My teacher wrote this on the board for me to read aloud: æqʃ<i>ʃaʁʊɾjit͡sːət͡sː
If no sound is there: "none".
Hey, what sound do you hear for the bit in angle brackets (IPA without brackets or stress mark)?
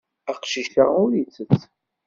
i